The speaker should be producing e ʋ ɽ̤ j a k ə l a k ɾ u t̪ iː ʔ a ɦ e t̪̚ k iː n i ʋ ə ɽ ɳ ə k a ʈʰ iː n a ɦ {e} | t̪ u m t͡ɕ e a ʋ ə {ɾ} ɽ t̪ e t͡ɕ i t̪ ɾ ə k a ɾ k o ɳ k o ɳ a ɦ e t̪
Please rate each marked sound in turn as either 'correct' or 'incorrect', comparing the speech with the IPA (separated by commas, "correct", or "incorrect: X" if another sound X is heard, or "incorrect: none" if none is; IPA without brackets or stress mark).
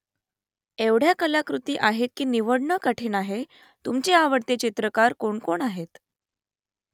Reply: correct, incorrect: none